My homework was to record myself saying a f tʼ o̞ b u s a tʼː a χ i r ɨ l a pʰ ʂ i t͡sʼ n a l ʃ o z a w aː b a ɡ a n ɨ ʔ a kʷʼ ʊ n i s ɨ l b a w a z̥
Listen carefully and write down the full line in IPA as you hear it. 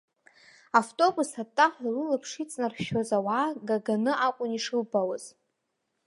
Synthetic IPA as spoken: a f tʼ o̞ b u s a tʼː a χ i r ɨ l a pʰ ʂ i t͡sʼ n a r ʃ o z a w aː ɡ a ɡ a n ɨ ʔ a kʷʼ ʊ n i ʂ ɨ l b a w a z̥